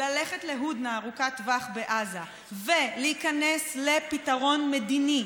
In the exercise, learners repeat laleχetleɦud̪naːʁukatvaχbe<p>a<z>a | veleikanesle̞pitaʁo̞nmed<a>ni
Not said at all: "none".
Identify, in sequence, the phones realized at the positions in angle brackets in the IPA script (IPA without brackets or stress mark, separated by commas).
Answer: ʔ, z, i